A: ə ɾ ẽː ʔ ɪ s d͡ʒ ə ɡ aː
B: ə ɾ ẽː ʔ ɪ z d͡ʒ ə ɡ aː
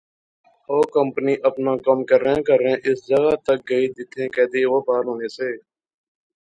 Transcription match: A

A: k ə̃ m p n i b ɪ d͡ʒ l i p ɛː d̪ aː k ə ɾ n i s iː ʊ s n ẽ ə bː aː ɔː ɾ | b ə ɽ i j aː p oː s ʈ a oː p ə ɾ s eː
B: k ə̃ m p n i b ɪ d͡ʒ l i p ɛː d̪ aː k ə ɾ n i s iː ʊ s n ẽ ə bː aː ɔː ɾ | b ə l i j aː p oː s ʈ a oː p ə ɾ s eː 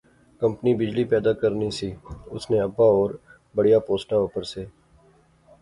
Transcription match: A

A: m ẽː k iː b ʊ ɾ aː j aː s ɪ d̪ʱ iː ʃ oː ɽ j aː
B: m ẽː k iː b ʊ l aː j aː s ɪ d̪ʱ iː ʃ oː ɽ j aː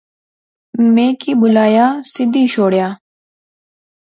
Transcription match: B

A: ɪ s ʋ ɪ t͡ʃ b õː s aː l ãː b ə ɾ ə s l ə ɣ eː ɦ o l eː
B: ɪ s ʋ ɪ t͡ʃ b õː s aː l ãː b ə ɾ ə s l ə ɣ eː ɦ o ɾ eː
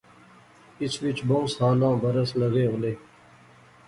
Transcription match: A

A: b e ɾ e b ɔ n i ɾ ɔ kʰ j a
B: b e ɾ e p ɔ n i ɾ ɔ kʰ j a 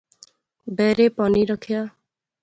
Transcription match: B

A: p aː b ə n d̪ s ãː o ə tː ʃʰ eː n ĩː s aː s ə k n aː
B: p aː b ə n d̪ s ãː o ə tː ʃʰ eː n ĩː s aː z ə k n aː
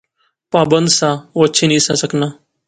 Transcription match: A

